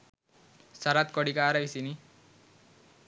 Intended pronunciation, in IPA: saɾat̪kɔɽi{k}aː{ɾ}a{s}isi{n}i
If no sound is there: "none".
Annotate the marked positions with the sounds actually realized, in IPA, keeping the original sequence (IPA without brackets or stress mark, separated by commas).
k, ɾ, none, n